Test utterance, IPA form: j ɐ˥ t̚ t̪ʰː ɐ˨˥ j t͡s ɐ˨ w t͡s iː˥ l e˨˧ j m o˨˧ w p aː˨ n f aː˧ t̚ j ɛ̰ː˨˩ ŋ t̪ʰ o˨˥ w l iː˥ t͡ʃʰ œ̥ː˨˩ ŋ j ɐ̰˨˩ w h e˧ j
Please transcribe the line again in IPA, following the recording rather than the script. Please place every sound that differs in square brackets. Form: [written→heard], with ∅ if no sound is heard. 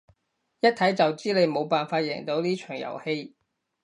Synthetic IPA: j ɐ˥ t̚ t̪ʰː ɐ˨˥ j t͡s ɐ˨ w t͡s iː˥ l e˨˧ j m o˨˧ w p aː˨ n f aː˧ t̚ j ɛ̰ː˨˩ ŋ [t̪ʰ→t̪] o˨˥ w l iː˥ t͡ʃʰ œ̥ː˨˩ ŋ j ɐ̰˨˩ w h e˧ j

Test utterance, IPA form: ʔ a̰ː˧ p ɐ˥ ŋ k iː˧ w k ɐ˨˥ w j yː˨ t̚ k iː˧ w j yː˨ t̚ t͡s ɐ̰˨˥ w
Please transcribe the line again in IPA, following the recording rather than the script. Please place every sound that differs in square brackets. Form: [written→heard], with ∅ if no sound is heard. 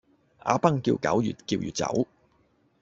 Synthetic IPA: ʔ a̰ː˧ p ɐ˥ ŋ k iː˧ w k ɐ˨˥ w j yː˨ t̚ k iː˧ w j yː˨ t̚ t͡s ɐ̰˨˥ w

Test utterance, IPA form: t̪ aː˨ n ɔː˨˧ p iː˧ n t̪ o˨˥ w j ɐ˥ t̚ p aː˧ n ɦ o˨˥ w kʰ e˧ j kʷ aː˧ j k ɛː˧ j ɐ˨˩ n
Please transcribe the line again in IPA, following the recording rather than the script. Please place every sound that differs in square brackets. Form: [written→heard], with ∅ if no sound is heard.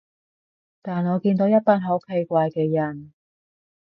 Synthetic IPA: t̪ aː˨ n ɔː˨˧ [p→k] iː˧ n t̪ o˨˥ w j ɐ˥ t̚ p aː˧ n ɦ o˨˥ w kʰ e˧ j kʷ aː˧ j k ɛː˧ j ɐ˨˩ n

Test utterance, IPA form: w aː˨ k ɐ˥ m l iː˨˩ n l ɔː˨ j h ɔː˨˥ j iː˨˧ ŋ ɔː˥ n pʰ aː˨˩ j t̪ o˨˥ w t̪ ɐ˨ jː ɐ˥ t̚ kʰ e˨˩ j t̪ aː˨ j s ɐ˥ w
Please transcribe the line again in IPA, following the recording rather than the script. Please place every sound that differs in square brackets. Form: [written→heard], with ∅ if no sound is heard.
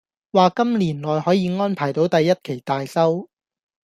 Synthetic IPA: w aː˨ k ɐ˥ m l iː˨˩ n l ɔː˨ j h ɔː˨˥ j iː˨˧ ŋ ɔː˥ n pʰ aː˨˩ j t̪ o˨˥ w t̪ ɐ˨ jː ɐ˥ t̚ kʰ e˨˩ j t̪ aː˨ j s ɐ˥ w

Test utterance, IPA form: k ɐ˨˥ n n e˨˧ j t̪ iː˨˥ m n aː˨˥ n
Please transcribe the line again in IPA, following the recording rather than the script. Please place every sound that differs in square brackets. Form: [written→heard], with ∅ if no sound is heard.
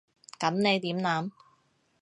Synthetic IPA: k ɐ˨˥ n n e˨˧ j t̪ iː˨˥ m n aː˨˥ [n→m]

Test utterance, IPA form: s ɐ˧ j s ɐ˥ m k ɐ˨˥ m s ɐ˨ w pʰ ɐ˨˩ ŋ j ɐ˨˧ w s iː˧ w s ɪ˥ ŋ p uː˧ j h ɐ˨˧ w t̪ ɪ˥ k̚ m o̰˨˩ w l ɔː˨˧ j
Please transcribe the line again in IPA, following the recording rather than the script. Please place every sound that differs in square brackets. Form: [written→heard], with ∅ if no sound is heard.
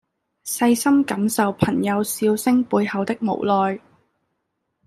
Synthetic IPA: s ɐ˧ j s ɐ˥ m k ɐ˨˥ m s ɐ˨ w pʰ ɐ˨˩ ŋ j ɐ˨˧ w s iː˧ w s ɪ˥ ŋ p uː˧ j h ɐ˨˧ w t̪ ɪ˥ k̚ m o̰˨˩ w l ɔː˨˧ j

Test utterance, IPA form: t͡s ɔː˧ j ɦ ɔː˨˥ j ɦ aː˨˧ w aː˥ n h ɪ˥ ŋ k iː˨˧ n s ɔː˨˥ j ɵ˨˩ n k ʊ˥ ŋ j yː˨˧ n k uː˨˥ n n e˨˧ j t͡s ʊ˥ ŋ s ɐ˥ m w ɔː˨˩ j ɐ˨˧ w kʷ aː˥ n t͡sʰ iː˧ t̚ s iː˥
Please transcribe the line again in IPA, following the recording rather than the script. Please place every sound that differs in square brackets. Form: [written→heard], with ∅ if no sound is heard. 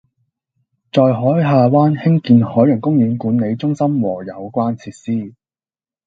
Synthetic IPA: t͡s ɔː˧ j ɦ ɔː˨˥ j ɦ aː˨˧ w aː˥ n h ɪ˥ ŋ k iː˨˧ n [s→h] ɔː˨˥ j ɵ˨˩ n k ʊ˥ ŋ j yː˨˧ n k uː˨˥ n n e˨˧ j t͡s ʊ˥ ŋ s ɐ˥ m w ɔː˨˩ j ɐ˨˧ w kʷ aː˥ n t͡sʰ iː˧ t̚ s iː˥

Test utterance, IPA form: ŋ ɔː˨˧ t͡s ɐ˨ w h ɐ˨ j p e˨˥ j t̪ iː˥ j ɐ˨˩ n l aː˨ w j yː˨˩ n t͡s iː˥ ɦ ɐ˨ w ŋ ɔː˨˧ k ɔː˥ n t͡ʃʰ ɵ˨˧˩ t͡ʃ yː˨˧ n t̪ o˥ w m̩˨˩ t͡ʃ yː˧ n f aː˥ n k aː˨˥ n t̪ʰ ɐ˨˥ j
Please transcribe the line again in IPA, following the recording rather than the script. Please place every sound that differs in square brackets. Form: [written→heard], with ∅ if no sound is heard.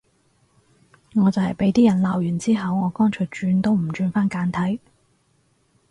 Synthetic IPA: ŋ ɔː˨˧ t͡s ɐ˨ w h ɐ˨ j p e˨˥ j t̪ iː˥ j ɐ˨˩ n l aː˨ w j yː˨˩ n t͡s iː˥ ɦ ɐ˨ w ŋ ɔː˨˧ k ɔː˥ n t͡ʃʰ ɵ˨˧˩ t͡ʃ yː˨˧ n t̪ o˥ w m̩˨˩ t͡ʃ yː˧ n f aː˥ n k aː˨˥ n t̪ʰ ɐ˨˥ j

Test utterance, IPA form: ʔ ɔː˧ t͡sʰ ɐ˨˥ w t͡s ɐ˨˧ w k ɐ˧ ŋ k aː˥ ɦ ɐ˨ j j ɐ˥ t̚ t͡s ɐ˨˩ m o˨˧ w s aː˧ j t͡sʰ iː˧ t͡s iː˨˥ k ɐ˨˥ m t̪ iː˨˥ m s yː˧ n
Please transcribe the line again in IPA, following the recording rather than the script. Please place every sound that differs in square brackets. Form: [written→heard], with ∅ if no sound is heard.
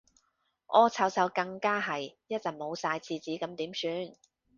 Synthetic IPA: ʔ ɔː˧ t͡sʰ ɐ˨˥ w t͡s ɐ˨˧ w k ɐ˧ ŋ k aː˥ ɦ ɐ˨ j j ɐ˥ t̚ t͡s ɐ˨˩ m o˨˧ w s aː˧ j t͡sʰ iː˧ t͡s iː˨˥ k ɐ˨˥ m t̪ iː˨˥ m s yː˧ n

